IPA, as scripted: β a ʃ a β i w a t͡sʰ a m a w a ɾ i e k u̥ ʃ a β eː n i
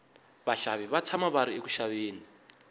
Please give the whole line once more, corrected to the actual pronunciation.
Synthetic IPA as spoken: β a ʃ a β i β a t͡sʰ a m a β a ɾ i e k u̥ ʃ a β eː n i